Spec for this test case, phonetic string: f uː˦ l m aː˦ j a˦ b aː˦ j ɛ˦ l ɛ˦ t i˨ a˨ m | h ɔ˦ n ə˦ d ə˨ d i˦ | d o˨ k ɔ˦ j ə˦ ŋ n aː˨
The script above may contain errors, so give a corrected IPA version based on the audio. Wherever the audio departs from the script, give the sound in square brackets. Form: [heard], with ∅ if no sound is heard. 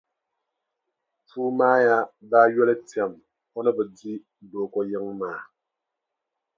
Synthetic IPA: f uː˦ [∅] m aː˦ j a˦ b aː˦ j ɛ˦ l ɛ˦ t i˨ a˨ m | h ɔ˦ n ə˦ [b] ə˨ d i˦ | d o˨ k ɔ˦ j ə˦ ŋ [m] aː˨